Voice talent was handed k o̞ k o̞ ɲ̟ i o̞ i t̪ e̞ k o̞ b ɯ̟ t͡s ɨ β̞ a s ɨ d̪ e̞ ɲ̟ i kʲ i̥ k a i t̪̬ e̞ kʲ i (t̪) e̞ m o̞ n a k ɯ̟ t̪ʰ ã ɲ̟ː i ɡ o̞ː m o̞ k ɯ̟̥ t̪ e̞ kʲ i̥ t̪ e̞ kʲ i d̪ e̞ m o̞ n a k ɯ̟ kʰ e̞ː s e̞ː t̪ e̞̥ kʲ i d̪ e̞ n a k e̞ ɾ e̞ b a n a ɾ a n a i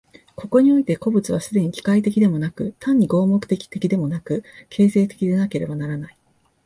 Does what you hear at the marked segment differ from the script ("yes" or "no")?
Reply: yes